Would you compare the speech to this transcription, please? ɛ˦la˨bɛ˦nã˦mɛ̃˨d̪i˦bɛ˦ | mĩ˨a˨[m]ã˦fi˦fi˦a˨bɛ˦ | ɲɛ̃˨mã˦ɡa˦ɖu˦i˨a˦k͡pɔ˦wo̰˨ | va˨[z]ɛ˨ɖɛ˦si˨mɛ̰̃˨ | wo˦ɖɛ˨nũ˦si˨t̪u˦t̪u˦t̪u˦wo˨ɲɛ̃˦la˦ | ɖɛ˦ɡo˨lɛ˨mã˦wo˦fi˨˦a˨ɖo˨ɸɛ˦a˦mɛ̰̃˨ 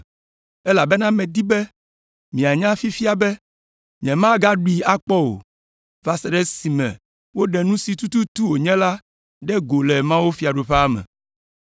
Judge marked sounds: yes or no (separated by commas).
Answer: no, no